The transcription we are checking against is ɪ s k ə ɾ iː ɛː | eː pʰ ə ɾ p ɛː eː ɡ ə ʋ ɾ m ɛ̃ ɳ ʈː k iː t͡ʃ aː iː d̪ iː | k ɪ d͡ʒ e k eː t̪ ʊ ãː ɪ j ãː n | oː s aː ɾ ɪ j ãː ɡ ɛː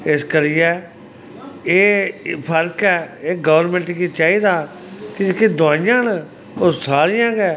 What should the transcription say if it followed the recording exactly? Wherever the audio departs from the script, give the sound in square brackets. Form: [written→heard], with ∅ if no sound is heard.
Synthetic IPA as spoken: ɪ s k ə ɾ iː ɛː | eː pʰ ə ɾ [p→k] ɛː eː ɡ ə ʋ ɾ m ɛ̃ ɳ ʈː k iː t͡ʃ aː iː d̪ [iː→aː] | k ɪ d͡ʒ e k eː [t̪→d̪] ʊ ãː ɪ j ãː n | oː s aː ɾ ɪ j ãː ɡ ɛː